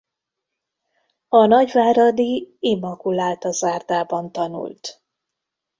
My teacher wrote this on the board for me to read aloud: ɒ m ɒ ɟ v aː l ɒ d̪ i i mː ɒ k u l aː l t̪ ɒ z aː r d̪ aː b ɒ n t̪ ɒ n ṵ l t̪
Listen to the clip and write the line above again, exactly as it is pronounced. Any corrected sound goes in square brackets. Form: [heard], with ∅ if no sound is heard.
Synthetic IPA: ɒ [n] ɒ ɟ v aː [ɾ] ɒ d̪ i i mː ɒ k u l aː l t̪ ɒ z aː r d̪ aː b ɒ n t̪ ɒ n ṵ l t̪